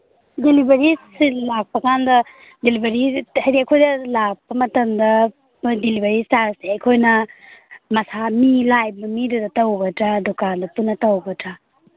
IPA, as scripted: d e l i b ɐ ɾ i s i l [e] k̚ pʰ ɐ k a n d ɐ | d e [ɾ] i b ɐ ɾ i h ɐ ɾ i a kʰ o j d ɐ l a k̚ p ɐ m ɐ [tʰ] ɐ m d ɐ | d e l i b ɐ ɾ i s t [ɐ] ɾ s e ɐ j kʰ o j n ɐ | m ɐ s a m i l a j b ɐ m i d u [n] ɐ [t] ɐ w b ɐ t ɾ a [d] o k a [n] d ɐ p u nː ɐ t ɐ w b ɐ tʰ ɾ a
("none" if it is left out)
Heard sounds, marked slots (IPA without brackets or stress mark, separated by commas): a, l, t, a, d, t, d, n